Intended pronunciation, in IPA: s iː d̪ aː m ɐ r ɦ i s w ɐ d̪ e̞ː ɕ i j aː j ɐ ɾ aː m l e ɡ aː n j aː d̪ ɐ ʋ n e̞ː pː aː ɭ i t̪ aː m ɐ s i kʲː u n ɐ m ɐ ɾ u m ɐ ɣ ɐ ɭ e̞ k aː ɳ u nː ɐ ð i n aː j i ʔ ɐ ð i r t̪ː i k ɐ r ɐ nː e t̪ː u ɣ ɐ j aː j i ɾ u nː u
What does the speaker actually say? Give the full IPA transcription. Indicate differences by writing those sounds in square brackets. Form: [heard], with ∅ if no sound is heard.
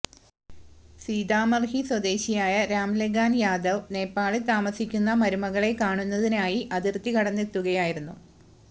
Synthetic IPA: s iː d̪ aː m ɐ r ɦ i s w ɐ d̪ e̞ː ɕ i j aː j ɐ ɾ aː m l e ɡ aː n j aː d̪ ɐ ʋ n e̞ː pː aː ɭ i t̪ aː m ɐ s i kʲː u [nː] ɐ m ɐ ɾ u m ɐ ɣ ɐ ɭ e̞ k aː ɳ u nː ɐ ð i n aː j i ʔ ɐ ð i r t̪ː i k ɐ [ɽ] ɐ nː e t̪ː u ɣ ɐ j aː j i ɾ u nː u